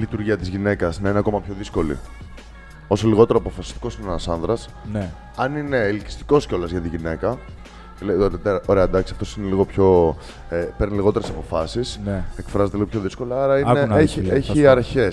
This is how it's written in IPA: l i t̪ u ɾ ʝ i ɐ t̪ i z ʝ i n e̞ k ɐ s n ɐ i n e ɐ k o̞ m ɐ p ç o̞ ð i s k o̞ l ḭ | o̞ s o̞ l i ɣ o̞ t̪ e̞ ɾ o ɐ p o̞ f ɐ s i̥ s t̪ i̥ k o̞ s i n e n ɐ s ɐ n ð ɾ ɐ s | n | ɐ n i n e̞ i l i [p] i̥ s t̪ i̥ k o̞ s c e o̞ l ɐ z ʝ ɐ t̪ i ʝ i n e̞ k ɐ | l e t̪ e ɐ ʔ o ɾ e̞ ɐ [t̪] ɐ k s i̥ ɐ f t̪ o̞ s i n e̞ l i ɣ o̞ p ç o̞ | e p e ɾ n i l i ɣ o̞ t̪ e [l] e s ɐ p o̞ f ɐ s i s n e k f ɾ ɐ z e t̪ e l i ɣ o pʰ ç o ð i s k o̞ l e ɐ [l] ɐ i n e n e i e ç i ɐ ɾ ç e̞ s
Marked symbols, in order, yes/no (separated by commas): no, no, no, no